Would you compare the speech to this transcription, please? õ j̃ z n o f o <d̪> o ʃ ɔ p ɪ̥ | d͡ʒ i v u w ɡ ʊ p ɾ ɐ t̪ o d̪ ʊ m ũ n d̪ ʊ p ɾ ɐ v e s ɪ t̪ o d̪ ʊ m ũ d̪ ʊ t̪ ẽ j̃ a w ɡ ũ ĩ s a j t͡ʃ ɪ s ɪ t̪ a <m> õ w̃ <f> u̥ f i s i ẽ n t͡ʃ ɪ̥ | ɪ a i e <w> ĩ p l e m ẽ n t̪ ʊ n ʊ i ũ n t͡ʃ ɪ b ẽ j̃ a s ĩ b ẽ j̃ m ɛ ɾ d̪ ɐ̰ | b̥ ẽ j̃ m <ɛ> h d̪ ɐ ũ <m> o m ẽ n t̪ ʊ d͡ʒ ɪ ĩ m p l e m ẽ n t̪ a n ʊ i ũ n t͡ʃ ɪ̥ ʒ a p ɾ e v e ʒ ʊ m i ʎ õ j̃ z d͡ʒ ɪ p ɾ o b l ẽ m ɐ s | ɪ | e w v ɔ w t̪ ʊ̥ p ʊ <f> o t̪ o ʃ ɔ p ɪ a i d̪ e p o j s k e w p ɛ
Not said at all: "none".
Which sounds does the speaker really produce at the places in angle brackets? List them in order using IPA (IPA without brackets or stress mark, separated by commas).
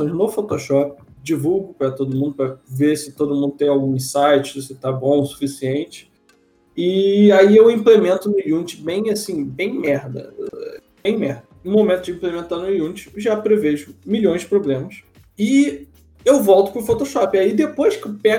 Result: t̪, b, s, w, ɛ, m, f